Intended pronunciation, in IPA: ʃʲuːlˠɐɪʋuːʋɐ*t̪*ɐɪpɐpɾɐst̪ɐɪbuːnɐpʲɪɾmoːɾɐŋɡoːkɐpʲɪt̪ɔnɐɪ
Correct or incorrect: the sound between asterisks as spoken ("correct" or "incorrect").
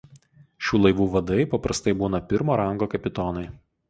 incorrect